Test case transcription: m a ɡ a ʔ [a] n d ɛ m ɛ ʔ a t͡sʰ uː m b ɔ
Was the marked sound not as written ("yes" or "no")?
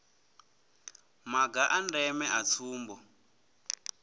no